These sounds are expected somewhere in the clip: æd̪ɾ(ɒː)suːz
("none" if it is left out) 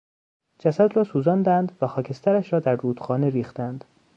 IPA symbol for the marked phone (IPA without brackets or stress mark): ɒː